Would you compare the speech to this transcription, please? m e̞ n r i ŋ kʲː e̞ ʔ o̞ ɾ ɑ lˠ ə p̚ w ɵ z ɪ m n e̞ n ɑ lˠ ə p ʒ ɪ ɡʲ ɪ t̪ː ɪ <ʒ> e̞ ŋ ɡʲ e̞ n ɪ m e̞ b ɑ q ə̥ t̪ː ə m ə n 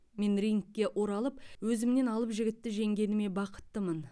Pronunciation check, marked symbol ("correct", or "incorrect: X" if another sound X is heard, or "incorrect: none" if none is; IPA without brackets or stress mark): correct